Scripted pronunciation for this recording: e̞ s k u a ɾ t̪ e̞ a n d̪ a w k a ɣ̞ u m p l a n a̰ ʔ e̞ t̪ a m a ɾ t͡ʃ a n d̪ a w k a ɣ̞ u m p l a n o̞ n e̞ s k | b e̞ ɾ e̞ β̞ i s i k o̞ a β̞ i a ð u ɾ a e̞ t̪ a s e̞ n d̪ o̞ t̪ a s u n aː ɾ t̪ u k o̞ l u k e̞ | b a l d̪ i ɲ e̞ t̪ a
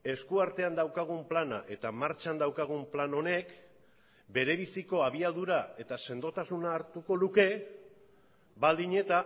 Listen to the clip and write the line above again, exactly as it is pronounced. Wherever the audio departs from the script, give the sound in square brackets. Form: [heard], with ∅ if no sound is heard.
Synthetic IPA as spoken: e̞ s k u a ɾ t̪ e̞ a n d̪ a w k a ɣ̞ u m p l a n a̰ ʔ e̞ t̪ a m a ɾ t͡ʃ a n d̪ a w k a ɣ̞ u m p l a n o̞ n e̞ [∅] k | b e̞ ɾ e̞ β̞ i s i k o̞ a β̞ i a ð u ɾ a e̞ t̪ a s e̞ n d̪ o̞ t̪ a s u n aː ɾ t̪ u k o̞ l u k e̞ | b a l d̪ i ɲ e̞ t̪ a